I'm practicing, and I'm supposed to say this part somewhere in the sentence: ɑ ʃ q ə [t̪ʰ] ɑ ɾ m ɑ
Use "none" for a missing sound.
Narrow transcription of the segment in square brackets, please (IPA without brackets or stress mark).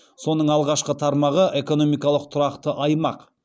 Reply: t̪ʰ